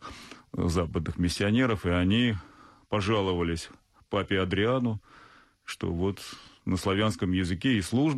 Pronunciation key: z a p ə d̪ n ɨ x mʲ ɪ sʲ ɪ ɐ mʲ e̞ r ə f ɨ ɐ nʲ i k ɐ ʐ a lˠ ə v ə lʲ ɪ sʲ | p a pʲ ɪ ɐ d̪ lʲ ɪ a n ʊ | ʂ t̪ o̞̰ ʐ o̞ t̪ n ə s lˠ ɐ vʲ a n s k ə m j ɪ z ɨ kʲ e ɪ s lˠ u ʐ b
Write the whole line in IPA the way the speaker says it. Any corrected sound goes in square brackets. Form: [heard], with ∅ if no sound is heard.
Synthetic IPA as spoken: z a p ə d̪ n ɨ x mʲ ɪ [sʲː] ɪ ɐ [nʲ] e̞ [ɾ] ə f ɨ ɐ nʲ i [p] ɐ ʐ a lˠ ə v ə lʲ ɪ sʲ | p a pʲ ɪ ɐ d̪ [ɾʲ] ɪ a n ʊ | ʂ t̪ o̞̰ [v] o̞ t̪ n ə s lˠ ɐ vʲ a n s k ə m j ɪ z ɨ kʲ e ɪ s lˠ u ʐ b